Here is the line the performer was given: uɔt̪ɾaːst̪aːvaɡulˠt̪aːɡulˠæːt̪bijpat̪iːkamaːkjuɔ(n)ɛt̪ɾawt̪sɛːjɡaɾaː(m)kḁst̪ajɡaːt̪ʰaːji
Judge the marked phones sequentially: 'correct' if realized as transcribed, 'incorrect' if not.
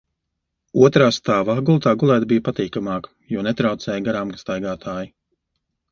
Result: correct, correct

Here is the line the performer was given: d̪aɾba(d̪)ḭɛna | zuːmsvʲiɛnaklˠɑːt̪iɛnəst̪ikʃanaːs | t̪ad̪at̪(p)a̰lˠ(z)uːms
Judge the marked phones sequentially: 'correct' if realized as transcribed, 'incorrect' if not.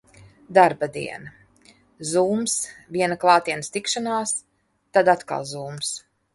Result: correct, incorrect: k, correct

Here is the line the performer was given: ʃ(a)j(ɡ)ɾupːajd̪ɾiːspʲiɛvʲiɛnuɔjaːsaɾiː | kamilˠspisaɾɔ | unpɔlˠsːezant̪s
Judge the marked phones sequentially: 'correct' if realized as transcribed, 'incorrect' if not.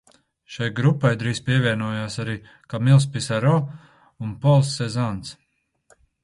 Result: correct, correct

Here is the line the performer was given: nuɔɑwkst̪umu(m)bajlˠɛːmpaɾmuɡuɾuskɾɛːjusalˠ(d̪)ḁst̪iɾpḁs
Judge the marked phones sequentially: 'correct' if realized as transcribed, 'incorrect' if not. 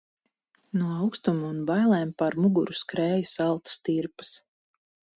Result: incorrect: n, incorrect: t̪

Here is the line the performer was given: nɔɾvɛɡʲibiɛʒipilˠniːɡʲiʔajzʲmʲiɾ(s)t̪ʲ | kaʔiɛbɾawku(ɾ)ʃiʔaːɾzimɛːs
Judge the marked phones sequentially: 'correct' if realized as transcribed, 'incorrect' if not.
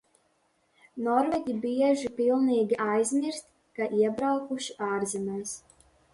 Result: correct, incorrect: none

